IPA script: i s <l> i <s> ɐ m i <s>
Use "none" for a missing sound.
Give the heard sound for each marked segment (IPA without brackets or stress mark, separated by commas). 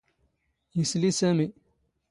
l, s, none